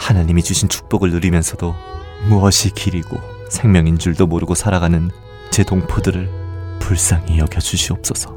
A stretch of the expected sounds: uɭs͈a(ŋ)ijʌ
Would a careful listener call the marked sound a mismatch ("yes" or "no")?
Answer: no